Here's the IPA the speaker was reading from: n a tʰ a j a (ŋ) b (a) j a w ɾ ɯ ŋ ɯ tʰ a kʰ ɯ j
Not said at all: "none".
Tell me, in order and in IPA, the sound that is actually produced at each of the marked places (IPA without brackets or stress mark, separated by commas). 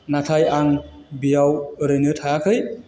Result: ŋ, i